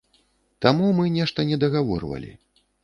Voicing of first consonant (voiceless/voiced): voiceless